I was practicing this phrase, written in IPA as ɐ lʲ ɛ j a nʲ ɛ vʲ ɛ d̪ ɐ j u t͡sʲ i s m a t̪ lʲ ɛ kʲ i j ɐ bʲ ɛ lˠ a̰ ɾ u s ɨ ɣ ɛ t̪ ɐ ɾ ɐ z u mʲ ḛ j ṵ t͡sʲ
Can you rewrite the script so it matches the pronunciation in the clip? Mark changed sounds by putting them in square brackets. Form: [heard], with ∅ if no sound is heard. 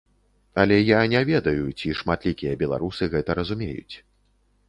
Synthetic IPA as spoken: ɐ lʲ ɛ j a nʲ ɛ vʲ ɛ d̪ ɐ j u t͡sʲ i [ʂ] m a t̪ lʲ [i] kʲ i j ɐ bʲ ɛ lˠ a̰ ɾ u s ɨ ɣ ɛ t̪ ɐ ɾ ɐ z u mʲ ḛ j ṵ t͡sʲ

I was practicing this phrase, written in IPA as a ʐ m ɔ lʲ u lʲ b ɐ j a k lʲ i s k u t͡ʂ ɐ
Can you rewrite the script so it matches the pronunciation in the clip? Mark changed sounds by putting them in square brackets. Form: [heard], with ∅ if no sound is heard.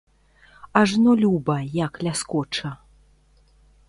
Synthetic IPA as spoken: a ʐ [n] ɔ lʲ u [∅] b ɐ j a k lʲ [a] s k [ɔ] t͡ʂ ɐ

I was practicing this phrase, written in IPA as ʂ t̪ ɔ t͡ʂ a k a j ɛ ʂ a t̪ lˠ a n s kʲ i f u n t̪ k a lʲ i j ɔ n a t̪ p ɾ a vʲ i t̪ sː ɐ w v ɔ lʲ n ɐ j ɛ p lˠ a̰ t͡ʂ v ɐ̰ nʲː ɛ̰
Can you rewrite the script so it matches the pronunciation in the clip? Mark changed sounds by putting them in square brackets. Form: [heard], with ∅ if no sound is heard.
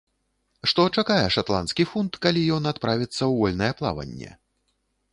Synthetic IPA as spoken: ʂ t̪ ɔ t͡ʂ a k a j ɛ ʂ a t̪ lˠ a n s kʲ i f u n t̪ k a lʲ i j ɔ n a t̪ p ɾ a vʲ i t̪ sː ɐ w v ɔ lʲ n ɐ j ɛ p lˠ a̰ [∅] v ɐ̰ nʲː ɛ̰

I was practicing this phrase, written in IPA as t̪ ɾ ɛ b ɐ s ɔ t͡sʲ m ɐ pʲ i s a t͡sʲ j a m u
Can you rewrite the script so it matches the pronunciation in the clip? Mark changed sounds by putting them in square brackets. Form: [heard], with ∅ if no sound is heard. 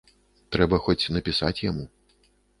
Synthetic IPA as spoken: t̪ ɾ ɛ b ɐ [x] ɔ t͡sʲ [n] ɐ pʲ i s a t͡sʲ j a m u

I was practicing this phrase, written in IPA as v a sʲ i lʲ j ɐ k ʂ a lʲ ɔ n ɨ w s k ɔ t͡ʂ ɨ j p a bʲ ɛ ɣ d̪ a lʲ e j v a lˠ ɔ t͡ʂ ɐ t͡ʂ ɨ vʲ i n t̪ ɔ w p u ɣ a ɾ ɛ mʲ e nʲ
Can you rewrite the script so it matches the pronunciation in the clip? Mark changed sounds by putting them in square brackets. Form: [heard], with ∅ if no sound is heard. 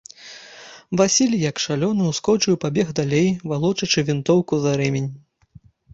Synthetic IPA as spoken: v a sʲ i lʲ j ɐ k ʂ a lʲ ɔ n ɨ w s k ɔ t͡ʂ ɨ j p a bʲ ɛ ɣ d̪ a lʲ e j v a lˠ ɔ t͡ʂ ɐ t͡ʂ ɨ vʲ i n t̪ ɔ w [k] u [z] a ɾ ɛ mʲ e nʲ

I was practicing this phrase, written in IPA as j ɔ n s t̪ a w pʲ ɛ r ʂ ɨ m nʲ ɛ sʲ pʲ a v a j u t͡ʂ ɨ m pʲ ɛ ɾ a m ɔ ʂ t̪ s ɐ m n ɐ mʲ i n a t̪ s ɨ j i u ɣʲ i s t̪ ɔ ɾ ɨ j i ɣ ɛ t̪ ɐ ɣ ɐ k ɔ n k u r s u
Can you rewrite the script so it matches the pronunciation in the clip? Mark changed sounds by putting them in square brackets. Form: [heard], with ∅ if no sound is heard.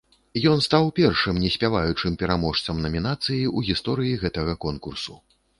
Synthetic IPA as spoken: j ɔ n s t̪ a w pʲ ɛ r ʂ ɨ m nʲ ɛ sʲ pʲ a v a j u t͡ʂ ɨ m pʲ ɛ ɾ a m ɔ ʂ t̪ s ɐ m n ɐ mʲ i n a t̪ s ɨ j i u ɣʲ i s t̪ ɔ ɾ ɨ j i ɣ ɛ t̪ ɐ ɣ ɐ k ɔ n k u r s u

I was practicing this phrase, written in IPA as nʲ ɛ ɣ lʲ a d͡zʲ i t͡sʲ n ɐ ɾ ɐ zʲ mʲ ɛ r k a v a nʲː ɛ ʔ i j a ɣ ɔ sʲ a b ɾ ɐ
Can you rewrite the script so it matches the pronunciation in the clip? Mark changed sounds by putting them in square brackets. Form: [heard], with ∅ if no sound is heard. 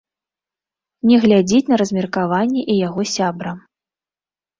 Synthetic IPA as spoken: nʲ ɛ ɣ lʲ a d͡zʲ i t͡sʲ n ɐ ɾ ɐ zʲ mʲ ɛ r k a v a nʲː ɛ ʔ i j a ɣ ɔ sʲ a b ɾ ɐ

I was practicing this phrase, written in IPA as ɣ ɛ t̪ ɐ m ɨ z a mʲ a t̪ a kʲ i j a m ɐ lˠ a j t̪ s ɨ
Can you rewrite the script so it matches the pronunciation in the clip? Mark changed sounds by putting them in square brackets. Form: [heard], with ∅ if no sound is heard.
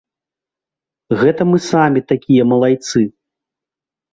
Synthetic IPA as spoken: ɣ ɛ t̪ ɐ m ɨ [s] a mʲ [i] t̪ a kʲ i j [ɐ] m ɐ lˠ a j t̪ s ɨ

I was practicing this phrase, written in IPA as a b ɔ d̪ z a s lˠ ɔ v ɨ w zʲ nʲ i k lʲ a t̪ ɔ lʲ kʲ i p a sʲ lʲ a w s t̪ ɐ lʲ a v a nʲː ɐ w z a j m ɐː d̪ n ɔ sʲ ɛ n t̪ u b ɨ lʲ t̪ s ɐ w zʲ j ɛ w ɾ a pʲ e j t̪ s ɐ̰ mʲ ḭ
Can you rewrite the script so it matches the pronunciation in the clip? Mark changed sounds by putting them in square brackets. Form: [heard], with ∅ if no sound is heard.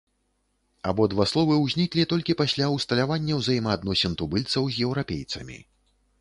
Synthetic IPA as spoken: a b ɔ d̪ [v] a s lˠ ɔ v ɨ w zʲ nʲ i k lʲ [i] t̪ ɔ lʲ kʲ i p a sʲ lʲ a w s t̪ ɐ lʲ a v a nʲː ɐ w z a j m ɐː d̪ n ɔ sʲ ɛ n t̪ u b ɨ lʲ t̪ s ɐ w zʲ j ɛ w ɾ a pʲ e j t̪ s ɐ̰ mʲ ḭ

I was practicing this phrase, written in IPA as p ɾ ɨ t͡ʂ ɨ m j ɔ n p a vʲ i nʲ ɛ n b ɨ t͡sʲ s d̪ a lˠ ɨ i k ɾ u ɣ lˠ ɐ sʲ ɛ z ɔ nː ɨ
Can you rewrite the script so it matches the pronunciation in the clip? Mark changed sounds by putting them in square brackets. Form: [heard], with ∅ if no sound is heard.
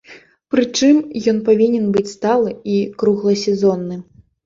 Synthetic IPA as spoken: p ɾ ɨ t͡ʂ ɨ m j ɔ n p a vʲ i nʲ ɛ n b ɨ t͡sʲ s [t̪] a lˠ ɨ i k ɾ u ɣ lˠ ɐ sʲ ɛ z ɔ nː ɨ

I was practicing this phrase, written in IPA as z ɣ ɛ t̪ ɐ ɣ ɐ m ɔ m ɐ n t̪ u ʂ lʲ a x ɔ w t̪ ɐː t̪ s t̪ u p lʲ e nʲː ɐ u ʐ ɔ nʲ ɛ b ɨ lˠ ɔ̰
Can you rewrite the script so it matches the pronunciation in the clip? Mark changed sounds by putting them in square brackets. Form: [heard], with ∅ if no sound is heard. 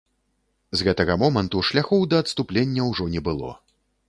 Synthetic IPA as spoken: z ɣ ɛ t̪ ɐ ɣ ɐ m ɔ m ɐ n t̪ u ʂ lʲ a x ɔ w [d̪] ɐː t̪ s t̪ u p lʲ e nʲː ɐ [w] ʐ ɔ nʲ ɛ b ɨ lˠ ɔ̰

